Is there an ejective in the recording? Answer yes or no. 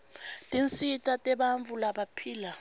yes